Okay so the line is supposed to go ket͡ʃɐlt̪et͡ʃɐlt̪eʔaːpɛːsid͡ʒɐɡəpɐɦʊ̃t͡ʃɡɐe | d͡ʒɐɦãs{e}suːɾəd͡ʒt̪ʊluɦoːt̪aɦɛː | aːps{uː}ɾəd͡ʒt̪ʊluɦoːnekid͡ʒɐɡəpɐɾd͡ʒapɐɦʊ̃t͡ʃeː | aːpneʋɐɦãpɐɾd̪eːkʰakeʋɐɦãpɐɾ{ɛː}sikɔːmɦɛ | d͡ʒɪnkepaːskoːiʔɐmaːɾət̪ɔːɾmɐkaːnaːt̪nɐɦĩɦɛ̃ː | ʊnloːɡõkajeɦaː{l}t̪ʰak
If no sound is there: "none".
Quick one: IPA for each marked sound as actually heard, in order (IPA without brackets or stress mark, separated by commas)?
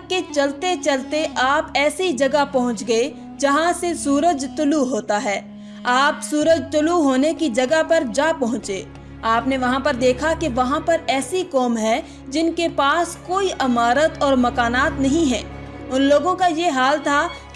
e, uː, ɛː, l